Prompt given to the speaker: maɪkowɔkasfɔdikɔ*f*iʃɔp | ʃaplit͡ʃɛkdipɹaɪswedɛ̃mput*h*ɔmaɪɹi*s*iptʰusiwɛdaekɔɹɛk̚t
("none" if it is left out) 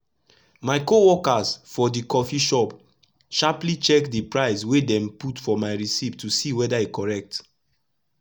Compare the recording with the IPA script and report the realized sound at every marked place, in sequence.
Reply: f, f, s

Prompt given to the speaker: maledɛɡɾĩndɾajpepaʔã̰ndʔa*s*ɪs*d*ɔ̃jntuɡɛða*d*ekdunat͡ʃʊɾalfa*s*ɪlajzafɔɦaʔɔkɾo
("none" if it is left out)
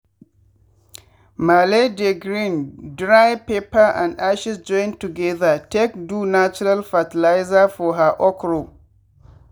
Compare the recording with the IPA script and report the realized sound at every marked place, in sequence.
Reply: ʃ, d͡ʒ, t, t

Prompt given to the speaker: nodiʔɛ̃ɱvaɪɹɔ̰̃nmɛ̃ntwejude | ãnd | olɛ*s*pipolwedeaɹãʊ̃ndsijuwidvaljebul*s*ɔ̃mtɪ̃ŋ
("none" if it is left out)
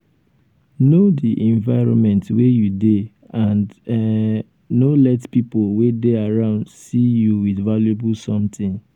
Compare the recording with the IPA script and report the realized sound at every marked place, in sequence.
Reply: t, s

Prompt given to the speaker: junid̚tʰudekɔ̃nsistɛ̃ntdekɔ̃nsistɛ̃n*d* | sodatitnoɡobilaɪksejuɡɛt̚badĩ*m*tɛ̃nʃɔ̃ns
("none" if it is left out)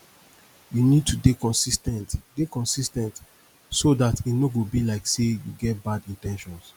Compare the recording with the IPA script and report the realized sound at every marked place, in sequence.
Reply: t, n

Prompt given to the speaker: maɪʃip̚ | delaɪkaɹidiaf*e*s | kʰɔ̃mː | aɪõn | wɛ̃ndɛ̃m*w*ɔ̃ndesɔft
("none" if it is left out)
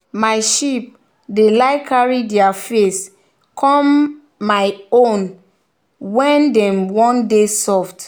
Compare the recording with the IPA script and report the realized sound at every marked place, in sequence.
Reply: e, w

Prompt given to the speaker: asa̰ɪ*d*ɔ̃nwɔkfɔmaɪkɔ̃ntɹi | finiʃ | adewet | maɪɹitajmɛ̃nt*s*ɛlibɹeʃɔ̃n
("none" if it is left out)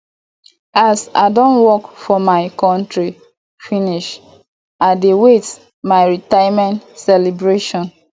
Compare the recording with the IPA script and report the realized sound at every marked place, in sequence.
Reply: d, s

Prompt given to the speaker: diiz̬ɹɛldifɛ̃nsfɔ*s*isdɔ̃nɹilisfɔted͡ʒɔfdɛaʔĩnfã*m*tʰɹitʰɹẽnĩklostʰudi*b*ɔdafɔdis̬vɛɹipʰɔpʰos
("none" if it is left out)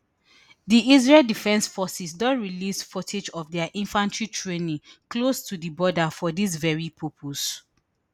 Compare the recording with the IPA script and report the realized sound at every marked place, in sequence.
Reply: s, n, b

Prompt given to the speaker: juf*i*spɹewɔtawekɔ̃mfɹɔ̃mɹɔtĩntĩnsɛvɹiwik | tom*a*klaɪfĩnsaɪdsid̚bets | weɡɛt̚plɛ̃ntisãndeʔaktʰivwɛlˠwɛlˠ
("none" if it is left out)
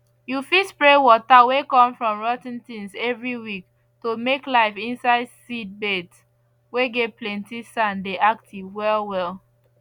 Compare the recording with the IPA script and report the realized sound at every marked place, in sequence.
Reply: i, e

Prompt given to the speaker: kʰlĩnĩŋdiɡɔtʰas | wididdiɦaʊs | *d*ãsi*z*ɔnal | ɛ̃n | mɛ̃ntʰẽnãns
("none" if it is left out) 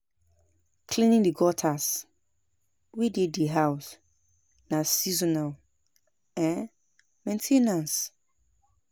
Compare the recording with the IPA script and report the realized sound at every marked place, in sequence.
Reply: n, z

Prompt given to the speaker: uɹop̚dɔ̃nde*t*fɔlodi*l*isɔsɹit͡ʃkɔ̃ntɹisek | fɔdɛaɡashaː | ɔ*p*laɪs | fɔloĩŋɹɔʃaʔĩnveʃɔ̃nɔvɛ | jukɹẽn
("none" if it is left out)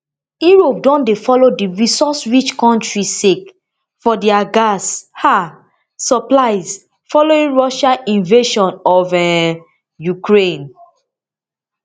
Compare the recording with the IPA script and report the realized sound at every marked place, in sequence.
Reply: none, ɹ, p

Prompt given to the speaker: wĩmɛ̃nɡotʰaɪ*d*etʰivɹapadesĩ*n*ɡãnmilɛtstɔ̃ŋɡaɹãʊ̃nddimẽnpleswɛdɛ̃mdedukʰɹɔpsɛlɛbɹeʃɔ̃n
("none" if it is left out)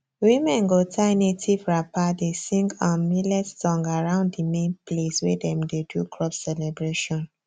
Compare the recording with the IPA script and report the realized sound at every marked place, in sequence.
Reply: n, ŋ

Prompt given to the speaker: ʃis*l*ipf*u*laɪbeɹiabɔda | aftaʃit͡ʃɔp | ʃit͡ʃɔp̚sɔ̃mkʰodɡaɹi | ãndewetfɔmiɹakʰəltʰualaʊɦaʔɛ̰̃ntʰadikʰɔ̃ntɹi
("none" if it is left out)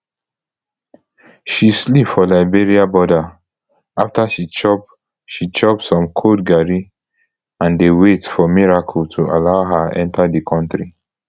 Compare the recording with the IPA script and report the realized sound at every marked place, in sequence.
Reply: l, ɔ

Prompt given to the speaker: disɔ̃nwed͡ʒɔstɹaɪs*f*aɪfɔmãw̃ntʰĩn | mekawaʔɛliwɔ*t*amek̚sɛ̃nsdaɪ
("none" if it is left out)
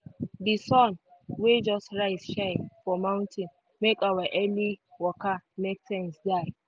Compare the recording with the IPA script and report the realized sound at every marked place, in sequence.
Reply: ʃ, k

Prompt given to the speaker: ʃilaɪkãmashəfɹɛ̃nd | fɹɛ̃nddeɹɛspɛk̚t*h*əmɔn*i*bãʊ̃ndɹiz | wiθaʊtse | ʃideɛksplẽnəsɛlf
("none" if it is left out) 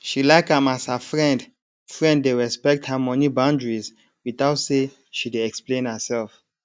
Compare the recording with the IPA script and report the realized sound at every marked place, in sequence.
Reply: h, i

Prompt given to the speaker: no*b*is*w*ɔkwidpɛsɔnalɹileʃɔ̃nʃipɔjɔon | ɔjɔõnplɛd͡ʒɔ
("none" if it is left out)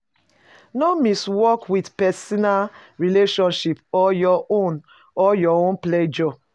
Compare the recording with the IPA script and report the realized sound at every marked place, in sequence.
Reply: m, w

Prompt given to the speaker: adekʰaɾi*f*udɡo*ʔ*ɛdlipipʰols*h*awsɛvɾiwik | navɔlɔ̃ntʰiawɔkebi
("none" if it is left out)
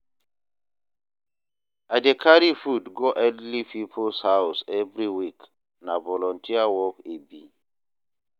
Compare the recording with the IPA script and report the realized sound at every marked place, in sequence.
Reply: f, ʔ, h

